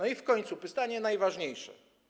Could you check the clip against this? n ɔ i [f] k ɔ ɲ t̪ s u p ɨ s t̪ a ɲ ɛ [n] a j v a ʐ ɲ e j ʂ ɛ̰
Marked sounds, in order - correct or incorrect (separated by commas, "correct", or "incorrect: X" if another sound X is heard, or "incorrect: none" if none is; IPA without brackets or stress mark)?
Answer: correct, correct